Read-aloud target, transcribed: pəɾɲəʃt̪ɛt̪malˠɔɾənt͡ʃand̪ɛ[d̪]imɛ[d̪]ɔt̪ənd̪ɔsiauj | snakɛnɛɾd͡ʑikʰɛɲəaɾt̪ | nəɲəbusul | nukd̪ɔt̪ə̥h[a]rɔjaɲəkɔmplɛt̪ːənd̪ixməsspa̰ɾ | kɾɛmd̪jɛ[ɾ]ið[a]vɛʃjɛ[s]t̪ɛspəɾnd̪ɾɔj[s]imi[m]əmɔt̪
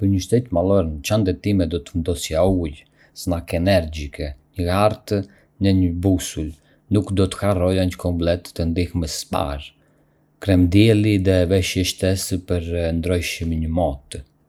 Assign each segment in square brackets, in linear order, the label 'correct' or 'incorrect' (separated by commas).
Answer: incorrect, correct, correct, incorrect, incorrect, incorrect, incorrect, incorrect